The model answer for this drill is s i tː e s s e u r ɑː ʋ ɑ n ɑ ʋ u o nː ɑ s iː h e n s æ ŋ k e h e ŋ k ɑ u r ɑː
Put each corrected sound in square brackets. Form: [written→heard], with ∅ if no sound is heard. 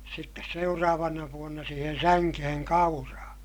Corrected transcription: s i tː e s s e u r ɑː ʋ ɑ n ɑ ʋ u o nː ɑ s iː h e n s æ ŋ k e h e ŋ k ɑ u r ɑː

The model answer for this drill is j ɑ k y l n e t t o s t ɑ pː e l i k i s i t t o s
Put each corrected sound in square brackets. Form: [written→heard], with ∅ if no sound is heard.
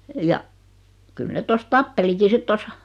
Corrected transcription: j ɑ k y l n e t t o s t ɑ pː e l i k i s i t t o s

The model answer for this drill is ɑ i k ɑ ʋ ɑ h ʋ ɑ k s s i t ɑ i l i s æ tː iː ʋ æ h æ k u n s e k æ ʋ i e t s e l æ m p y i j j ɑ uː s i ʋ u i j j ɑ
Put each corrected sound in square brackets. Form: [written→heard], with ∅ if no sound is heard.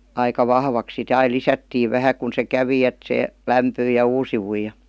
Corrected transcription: ɑ i k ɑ ʋ ɑ h ʋ ɑ k s s i t ɑ i l i s æ tː iː ʋ æ h æ k u n s e k æ ʋ i e t s e l æ m p y i j j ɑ uː s i ʋ u i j j ɑ

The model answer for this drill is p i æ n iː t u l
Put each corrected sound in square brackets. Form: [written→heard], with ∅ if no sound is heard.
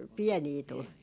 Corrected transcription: p i [æ→ɛ] n iː t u l

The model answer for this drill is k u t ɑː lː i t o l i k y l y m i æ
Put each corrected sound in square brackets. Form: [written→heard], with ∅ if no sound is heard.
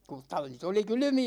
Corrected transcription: k u t [ɑː→ɑ] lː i t o l i k y l y m i æ

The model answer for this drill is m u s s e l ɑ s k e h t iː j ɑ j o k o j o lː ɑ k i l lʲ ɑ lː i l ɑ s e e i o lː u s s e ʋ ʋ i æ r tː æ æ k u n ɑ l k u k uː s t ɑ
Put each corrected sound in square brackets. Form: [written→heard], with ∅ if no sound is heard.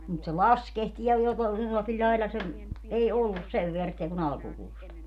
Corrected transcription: m u [s→t] s e l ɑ s k e h t iː j ɑ j o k o j o lː ɑ k i l lʲ ɑ [lː→∅] i l ɑ s e e i o lː u s s e ʋ ʋ [i→e] æ r tː [æ→i] æ k u n ɑ l k u k uː s t ɑ

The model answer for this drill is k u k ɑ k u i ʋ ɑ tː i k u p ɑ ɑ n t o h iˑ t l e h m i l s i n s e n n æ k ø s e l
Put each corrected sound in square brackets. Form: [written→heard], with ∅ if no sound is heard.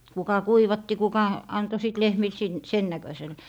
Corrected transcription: k u k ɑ k u i ʋ ɑ tː i k u [p→k] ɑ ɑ n t o [h→s] iˑ t l e h m i l s i n s e n n æ k ø s e l

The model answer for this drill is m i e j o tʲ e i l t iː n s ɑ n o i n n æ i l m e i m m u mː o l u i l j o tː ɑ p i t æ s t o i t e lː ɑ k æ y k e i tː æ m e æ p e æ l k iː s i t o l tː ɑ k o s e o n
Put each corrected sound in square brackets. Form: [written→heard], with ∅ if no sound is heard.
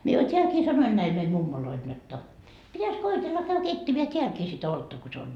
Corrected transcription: m i e j o tʲ e [i→æ] l [t→k] iː [n→∅] s ɑ n o i n n æ i l m e i m m u mː o l [u→o] i l j o tː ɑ p i t æ s [t→k] o i t e lː ɑ k æ y k e i tː [æ→e] m e æ [p→t] e æ l k iː s i t o l tː ɑ k o s e o n

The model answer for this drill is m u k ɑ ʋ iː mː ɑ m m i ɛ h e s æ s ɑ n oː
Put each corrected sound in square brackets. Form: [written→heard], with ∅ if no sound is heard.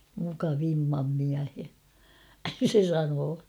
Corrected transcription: m u k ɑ ʋ [iː→i] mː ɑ m m i [ɛ→æ] h e s [æ→e] s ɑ n oː

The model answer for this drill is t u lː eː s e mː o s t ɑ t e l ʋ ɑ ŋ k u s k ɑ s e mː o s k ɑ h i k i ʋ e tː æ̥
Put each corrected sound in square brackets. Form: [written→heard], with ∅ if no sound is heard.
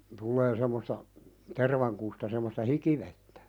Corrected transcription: t u lː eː s e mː o s t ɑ t e [l→r] ʋ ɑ ŋ k u s [k→t] ɑ s e mː o s [k→t] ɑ h i k i ʋ e tː æ̥

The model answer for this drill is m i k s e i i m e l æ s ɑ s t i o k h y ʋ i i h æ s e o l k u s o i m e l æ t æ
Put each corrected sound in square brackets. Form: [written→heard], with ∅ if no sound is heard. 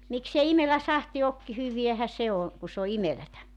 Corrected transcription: m i k s e i i m e l æ s ɑ [s→h] t i o k h y ʋ i [i→æ] h æ s e o [l→∅] k u s o i m e l æ t æ

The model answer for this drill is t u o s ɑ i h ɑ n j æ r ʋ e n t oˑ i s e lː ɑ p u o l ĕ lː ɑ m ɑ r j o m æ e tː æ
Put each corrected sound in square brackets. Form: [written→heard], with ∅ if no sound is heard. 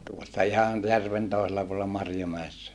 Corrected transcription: t u o [s→sː] ɑ i h ɑ n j æ r ʋ e n t oˑ i s e lː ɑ p u o l ĕ lː ɑ m ɑ r j o m æ e [tː→sː] æ

